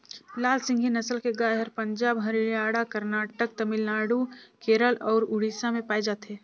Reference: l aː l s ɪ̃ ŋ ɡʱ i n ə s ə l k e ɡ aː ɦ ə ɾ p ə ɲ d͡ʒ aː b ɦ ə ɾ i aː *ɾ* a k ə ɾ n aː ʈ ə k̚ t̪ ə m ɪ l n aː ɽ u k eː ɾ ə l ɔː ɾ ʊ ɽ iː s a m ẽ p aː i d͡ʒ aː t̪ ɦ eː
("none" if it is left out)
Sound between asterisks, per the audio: ɽ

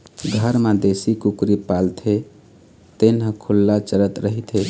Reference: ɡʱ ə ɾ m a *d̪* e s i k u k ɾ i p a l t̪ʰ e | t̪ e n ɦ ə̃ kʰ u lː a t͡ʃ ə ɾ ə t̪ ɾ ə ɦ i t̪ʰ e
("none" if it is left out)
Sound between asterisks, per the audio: d̪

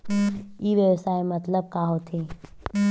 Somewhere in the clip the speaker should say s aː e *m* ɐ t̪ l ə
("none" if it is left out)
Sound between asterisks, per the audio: m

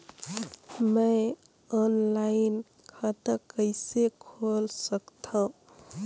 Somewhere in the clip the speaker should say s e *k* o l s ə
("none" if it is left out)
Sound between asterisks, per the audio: kʰ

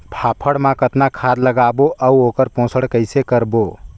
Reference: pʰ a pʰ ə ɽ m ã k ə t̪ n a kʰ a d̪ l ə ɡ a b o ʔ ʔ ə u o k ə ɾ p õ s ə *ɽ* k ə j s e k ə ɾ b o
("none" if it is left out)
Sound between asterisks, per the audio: ɽ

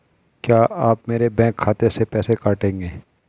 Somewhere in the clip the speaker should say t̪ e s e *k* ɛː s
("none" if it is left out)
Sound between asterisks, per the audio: p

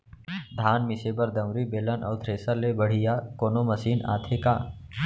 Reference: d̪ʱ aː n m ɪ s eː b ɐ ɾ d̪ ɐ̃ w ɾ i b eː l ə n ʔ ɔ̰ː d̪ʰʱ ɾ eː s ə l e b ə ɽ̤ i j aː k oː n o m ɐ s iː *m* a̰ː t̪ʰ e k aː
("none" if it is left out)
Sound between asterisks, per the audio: n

